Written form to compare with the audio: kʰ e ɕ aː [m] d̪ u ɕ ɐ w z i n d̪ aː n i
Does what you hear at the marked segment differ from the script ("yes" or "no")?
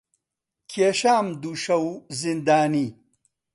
no